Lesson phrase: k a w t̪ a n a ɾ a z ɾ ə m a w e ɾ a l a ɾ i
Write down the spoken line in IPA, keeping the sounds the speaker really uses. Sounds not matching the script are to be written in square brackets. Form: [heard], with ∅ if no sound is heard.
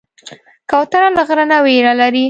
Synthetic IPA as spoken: k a w t̪ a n a [l] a [ɣ] ɾ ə [n] a w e ɾ a l a ɾ i